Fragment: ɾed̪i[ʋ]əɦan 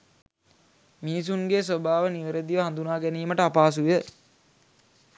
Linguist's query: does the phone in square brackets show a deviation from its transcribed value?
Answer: no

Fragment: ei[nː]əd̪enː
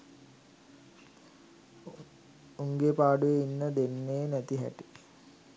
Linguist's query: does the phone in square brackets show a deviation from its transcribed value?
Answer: no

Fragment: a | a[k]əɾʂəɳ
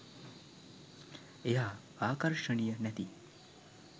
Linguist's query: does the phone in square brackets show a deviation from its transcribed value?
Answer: no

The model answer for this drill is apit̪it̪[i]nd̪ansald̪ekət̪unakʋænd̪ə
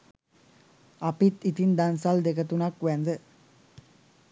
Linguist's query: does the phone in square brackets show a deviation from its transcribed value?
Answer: no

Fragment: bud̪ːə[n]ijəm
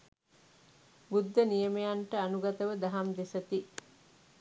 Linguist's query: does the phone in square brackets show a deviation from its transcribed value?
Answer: no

